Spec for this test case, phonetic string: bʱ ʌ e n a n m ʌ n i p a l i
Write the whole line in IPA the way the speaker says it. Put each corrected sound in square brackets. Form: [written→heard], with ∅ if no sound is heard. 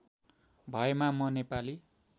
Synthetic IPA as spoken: bʱ ʌ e [n→m] a [n→∅] m ʌ n [i→e] p a l i